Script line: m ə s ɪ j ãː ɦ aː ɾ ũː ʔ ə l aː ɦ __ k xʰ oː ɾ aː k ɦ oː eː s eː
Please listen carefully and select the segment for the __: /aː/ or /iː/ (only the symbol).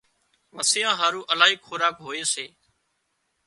iː